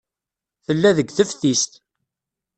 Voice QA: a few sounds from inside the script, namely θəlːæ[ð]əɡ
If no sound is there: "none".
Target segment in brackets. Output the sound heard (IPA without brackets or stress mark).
ð